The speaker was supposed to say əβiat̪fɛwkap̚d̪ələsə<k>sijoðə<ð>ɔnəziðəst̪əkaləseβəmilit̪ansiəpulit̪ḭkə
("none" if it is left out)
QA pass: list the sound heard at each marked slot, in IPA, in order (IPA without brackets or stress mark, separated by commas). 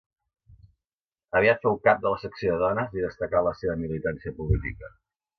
k, ð